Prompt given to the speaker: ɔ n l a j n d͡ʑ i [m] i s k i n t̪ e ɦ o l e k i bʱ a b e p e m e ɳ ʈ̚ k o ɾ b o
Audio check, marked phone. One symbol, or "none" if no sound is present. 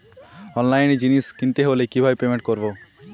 n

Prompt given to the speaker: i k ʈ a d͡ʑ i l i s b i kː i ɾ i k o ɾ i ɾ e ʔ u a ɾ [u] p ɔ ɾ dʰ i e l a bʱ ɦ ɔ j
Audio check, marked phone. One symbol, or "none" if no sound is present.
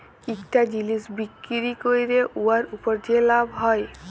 u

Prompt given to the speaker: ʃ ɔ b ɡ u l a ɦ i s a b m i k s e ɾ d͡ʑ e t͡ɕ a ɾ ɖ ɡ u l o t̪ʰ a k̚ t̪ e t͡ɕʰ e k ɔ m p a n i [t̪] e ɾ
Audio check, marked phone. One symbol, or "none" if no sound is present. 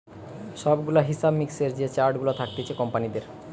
d̪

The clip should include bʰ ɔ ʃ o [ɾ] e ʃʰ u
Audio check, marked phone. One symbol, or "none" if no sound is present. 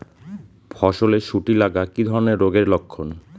l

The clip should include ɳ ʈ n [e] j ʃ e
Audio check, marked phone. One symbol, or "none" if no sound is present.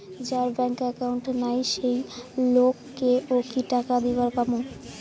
a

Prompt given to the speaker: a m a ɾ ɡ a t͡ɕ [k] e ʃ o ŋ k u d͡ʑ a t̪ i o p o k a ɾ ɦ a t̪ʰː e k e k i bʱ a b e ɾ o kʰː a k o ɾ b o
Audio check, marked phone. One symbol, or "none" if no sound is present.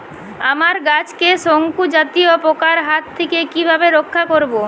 k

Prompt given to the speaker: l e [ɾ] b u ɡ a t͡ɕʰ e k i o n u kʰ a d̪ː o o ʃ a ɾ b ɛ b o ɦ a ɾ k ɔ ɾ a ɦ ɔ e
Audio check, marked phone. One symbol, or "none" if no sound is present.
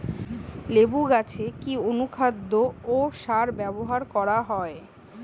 none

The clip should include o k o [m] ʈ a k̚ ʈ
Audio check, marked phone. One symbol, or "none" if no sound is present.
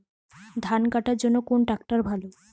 n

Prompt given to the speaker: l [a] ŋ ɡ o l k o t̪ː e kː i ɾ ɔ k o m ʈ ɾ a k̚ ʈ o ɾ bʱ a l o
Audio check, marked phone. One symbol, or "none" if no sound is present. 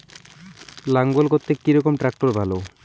a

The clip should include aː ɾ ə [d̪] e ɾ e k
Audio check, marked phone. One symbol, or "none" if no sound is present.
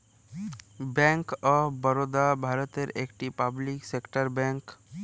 t̪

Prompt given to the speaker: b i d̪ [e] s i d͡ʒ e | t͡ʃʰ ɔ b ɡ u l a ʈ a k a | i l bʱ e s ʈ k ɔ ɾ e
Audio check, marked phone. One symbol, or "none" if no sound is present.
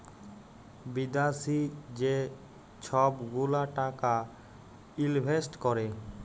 a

